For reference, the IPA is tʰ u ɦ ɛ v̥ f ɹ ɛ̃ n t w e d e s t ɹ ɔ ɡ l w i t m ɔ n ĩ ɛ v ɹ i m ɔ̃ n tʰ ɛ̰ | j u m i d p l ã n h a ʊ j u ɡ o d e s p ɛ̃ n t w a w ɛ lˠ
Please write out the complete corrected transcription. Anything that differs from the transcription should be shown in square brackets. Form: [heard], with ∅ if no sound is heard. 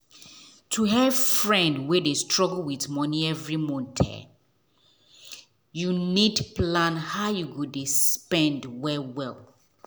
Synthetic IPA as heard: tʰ u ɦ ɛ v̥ f ɹ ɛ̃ n [d] w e d e s t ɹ ɔ ɡ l w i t m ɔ n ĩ ɛ v ɹ i m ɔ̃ n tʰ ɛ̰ | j u [n] i d p l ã n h a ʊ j u ɡ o d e s p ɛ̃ n [d] w [ɛ] w ɛ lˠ